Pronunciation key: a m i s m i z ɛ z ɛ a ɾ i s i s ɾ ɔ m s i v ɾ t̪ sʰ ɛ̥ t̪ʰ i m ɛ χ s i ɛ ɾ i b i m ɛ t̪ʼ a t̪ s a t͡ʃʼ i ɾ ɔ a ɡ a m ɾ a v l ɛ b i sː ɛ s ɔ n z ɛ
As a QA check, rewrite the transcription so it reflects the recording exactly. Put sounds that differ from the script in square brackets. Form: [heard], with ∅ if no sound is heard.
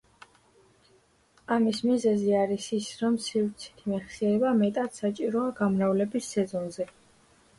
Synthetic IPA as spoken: a m i s m i z ɛ z [i] a ɾ i s i s ɾ ɔ m s i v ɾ t̪ sʰ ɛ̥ t̪ʰ i m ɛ χ s i ɛ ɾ [ɛ] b [a] m ɛ t̪ʼ a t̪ s a t͡ʃʼ i ɾ ɔ a ɡ a m ɾ a v l ɛ b i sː ɛ [z] ɔ n z ɛ